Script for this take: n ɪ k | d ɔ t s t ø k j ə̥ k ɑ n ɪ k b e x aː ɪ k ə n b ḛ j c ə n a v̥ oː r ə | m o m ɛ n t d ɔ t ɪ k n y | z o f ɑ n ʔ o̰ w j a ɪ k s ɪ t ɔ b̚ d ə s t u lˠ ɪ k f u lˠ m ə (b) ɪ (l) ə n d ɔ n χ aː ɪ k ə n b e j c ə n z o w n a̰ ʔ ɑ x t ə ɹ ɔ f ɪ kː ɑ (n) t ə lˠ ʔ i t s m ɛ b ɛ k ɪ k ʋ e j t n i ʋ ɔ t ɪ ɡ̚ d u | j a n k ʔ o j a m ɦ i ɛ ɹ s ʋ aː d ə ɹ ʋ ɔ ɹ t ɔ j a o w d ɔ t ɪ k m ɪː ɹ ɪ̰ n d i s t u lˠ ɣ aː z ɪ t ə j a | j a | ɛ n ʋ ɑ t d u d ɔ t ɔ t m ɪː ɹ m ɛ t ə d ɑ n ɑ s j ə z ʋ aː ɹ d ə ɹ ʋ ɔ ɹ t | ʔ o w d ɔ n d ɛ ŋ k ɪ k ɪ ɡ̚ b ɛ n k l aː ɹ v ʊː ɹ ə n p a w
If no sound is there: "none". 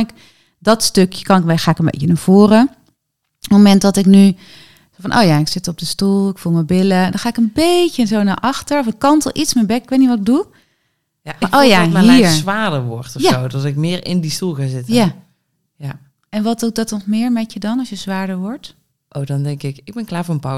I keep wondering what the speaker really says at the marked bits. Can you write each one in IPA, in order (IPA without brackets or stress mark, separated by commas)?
b, l, n